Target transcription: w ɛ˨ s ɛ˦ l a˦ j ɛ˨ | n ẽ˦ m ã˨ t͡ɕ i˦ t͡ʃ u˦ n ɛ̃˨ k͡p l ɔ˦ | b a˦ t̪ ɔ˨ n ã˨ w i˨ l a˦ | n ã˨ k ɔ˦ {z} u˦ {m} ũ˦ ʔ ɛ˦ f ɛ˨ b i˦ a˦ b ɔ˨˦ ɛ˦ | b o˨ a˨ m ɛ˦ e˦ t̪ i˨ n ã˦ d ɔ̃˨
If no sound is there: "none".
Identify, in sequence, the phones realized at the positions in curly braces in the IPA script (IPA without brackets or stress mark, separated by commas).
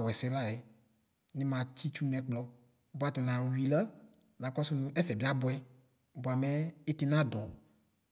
s, n